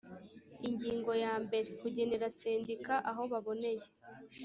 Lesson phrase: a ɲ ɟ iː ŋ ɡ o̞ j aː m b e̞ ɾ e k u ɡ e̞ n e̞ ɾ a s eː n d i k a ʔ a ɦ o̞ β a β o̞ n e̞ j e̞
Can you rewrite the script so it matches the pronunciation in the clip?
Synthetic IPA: i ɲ ɟ iː ŋ ɡ o̞ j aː m b e̞ ɾ e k u ɟ e̞ n e̞ ɾ a s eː n d i k a ʔ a ɦ o̞ β a β o̞ n e̞ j e̞